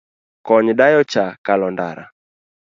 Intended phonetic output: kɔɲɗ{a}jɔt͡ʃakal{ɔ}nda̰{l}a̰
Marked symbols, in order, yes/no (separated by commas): yes, yes, no